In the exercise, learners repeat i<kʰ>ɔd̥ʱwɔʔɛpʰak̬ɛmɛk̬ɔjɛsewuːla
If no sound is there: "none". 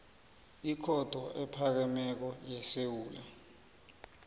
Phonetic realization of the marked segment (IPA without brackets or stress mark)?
kʰ